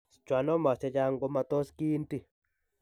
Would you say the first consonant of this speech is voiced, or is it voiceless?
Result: voiceless